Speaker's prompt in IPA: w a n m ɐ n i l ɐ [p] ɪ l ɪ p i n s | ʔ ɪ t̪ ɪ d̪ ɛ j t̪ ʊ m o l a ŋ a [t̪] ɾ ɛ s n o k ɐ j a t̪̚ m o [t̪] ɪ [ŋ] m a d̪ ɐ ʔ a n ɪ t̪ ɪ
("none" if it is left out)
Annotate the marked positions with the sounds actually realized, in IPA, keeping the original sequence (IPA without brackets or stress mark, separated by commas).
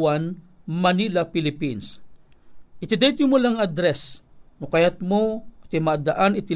p, d̪, t̪, none